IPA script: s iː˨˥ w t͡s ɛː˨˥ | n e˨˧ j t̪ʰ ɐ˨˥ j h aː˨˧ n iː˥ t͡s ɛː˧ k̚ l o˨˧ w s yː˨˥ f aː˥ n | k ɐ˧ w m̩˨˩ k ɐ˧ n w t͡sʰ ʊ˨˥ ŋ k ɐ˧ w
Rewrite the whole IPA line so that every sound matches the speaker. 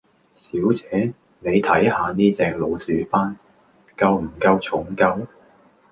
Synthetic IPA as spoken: s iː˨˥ w t͡s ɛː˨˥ | n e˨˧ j t̪ʰ ɐ˨˥ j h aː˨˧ n iː˥ t͡s ɛː˧ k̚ l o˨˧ w s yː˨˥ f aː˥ n | k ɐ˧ w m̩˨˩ k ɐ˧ w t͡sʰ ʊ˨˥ ŋ k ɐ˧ w